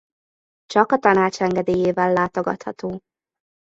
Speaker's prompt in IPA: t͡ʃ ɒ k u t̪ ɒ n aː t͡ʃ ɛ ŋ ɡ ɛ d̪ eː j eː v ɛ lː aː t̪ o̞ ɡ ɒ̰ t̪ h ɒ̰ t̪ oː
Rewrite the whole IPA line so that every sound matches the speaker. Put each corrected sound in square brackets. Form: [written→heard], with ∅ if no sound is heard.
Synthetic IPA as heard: t͡ʃ ɒ k [u→ɒ] t̪ ɒ n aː t͡ʃ ɛ ŋ ɡ ɛ d̪ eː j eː v ɛ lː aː t̪ o̞ ɡ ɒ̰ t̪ h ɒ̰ t̪ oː